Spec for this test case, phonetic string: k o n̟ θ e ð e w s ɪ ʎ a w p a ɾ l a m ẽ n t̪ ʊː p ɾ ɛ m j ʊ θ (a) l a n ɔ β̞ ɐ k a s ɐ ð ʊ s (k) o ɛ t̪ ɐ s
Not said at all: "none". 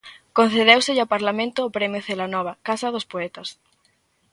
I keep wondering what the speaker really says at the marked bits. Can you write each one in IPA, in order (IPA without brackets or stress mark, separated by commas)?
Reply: e, p